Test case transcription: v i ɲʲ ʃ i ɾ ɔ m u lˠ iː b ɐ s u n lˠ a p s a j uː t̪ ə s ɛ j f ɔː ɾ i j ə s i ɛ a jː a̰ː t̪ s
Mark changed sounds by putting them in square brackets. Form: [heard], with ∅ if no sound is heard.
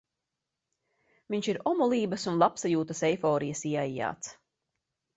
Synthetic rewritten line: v i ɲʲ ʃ i ɾ ɔ m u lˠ iː b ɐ s u n lˠ a p s a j uː t̪ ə s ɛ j f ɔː ɾ i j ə s i ɛ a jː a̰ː t̪ s